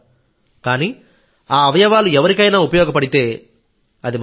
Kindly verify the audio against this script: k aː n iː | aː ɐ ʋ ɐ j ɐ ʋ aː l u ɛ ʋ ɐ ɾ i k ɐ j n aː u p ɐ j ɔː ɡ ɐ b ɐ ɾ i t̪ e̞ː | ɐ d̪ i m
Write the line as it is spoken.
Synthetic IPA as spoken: k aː n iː | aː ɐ ʋ ɐ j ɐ ʋ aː l u ɛ ʋ ɐ ɾ i k ɐ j n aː u p ɐ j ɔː ɡ ɐ p ɐ ɽ i t̪ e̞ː | ɐ d̪ i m